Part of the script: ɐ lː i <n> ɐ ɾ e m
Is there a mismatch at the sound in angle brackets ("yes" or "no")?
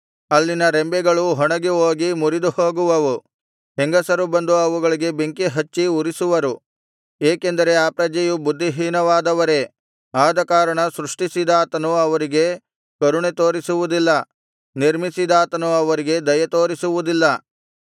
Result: no